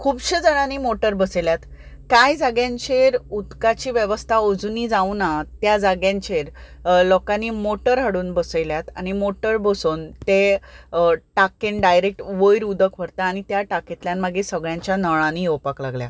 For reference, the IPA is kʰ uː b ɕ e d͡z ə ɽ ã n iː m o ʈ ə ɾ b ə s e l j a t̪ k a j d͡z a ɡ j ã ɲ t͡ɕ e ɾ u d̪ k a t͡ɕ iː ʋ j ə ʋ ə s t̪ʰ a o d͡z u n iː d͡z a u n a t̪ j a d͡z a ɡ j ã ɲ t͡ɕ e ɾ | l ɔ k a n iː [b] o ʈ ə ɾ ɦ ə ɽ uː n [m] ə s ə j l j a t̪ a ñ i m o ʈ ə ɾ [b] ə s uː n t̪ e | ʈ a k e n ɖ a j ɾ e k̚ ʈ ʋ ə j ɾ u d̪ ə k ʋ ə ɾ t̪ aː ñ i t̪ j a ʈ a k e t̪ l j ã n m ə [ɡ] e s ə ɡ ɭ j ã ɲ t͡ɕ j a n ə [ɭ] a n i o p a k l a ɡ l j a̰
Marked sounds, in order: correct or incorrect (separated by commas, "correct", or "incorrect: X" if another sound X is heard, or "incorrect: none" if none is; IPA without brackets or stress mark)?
incorrect: m, incorrect: b, correct, correct, correct